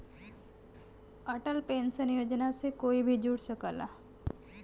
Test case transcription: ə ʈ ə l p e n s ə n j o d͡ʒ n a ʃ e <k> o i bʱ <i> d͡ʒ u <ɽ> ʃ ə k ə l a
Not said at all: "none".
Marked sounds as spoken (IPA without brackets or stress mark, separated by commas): k, i, ɽ